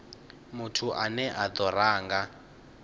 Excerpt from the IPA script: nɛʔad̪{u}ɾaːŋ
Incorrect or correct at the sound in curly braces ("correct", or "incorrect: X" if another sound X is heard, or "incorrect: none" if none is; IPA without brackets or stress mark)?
incorrect: ɔ